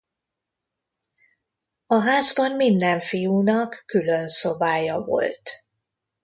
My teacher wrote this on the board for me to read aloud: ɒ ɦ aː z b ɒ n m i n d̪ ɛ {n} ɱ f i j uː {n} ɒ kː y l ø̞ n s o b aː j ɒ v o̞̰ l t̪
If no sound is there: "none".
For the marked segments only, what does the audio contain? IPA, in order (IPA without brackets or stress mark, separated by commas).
none, n